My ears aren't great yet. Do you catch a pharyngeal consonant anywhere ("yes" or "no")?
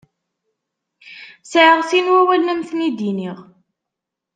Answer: yes